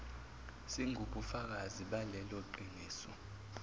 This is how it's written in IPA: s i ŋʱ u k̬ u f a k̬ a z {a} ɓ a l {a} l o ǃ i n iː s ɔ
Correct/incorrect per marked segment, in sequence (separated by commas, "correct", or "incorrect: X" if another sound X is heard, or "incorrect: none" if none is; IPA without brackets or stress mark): incorrect: i, incorrect: ɛ